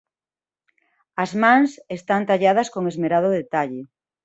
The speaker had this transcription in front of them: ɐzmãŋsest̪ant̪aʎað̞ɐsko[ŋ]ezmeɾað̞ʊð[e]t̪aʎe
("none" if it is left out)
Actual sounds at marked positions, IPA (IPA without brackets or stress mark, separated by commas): ŋ, e